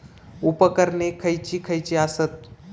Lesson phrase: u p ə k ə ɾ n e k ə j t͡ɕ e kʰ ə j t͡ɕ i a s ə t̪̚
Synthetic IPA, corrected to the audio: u p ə k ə ɾ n e kʰ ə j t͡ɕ i kʰ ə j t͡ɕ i a s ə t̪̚